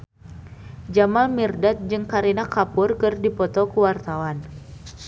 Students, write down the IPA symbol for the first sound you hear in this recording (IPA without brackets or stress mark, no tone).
d͡ʒ